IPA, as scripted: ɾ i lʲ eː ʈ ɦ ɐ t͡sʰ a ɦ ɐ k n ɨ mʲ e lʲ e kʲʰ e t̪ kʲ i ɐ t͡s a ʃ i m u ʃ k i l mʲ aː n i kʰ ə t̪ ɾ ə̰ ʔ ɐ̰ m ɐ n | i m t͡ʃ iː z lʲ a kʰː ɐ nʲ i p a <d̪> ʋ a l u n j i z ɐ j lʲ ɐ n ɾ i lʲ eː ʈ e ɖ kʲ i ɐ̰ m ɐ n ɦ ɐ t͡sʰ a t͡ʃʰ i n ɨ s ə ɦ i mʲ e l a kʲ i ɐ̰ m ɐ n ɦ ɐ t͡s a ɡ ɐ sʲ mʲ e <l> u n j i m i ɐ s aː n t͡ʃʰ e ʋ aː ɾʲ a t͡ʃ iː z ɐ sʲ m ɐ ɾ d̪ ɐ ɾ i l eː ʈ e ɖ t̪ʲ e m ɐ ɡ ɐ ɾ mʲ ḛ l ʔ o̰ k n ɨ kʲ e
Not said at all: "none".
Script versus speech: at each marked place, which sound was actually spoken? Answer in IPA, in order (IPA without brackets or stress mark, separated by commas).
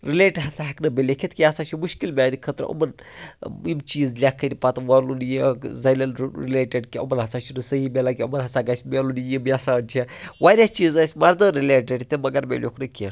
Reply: t̪, l